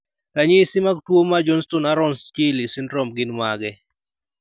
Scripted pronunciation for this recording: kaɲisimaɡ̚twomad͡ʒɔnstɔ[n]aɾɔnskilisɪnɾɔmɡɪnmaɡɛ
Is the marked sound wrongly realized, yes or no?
no